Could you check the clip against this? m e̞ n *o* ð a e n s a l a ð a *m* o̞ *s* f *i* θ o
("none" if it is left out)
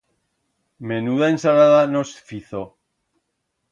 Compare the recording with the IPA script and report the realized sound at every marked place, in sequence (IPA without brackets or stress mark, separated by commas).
u, n, s, i